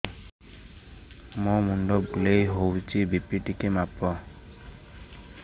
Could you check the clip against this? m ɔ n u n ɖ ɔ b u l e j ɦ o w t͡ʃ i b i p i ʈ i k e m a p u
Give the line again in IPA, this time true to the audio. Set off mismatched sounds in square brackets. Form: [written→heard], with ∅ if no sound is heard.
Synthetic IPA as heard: m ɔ [n→m] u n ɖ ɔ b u l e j ɦ o w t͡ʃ i b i p i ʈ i k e m a p [u→ɔ]